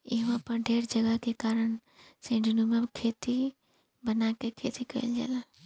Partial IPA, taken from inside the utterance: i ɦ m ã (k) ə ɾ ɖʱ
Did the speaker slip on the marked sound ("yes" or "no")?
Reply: yes